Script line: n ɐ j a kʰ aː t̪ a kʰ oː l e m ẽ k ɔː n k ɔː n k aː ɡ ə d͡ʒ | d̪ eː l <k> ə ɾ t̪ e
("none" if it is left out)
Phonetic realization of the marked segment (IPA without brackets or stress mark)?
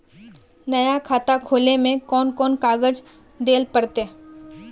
p